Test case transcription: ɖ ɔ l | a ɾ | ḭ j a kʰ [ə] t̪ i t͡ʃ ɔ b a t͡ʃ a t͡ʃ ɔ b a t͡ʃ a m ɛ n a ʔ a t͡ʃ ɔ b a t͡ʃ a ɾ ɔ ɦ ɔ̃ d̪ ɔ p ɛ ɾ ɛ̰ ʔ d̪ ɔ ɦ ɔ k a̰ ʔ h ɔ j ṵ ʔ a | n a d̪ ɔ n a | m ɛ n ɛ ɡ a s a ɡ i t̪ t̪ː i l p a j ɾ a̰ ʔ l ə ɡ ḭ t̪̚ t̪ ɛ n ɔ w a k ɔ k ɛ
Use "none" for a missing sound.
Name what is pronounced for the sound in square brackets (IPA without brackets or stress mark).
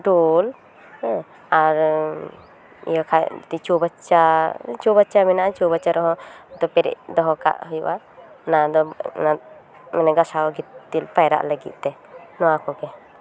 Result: a